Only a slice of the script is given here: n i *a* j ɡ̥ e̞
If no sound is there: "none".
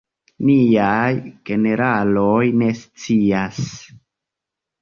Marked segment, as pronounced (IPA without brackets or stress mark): a